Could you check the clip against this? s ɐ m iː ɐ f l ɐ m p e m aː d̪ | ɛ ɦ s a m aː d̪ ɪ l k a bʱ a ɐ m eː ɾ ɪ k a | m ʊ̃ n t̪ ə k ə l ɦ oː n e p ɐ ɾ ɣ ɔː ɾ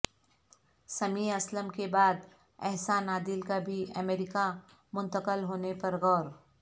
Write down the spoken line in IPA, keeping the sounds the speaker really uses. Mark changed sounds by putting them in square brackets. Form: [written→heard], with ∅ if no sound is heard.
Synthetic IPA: s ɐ m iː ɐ [f→s] l [ɐ→ə] m [p→k] e [m→b] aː d̪ | ɛ ɦ s a [m→n] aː d̪ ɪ l k a bʱ [a→i] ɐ m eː ɾ ɪ k a | m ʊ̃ n t̪ ə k ə l ɦ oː n e p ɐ ɾ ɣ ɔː ɾ